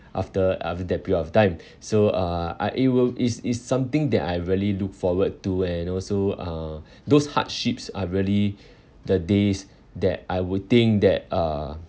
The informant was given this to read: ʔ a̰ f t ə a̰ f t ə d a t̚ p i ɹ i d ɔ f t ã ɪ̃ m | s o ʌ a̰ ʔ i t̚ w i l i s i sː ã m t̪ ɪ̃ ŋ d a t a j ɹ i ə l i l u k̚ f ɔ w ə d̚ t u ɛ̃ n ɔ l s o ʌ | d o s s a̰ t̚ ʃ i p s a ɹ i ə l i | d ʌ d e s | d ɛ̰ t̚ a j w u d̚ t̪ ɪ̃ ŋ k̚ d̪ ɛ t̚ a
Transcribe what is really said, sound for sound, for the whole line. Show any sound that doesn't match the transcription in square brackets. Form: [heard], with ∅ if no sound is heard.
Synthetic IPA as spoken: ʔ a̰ f t ə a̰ f t ə d [ɛ] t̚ p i ɹ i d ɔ f t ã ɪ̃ m | s o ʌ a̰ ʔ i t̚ w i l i s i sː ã m t̪ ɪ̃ ŋ d [ɛ] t a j ɹ i ə l i l u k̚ f ɔ w ə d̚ t u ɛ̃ n ɔ l s o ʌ | d o s [h] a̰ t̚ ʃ i p s a ɹ i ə l i | d [ə] d e s | d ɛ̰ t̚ a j w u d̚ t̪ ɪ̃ ŋ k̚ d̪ ɛ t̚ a